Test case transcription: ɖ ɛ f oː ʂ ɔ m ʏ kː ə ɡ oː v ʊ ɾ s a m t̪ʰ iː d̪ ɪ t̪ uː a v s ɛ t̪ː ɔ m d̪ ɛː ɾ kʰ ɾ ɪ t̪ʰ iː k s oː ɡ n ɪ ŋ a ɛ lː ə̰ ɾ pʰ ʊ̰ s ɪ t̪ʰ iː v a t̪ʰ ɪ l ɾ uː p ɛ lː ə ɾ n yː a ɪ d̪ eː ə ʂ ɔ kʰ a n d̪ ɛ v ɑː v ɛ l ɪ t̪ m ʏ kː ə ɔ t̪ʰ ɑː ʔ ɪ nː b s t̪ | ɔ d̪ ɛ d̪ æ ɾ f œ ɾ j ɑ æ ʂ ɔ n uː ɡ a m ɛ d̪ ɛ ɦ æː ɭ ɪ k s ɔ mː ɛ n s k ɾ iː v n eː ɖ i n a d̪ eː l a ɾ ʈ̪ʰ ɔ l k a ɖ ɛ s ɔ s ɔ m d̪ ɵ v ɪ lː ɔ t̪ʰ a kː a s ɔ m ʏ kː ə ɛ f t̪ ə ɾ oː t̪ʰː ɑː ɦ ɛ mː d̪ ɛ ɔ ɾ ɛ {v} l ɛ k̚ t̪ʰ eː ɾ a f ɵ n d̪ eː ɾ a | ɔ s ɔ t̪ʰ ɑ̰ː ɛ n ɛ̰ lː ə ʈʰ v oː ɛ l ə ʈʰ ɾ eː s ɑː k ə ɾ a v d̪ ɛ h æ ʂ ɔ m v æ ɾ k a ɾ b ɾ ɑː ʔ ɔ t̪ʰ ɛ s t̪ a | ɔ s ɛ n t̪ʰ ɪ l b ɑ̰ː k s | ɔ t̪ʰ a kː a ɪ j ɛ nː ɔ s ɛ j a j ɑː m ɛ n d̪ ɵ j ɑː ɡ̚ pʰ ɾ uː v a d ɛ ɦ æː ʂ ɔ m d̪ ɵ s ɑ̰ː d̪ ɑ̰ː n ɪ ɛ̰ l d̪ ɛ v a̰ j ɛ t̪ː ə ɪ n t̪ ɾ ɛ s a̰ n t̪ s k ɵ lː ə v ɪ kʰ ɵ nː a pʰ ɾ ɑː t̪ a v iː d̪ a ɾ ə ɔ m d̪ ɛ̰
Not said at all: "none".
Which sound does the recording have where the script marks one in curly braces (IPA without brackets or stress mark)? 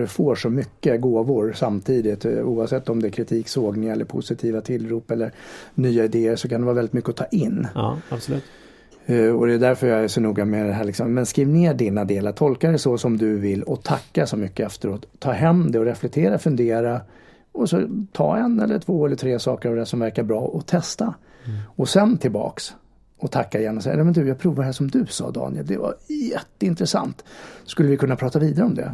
f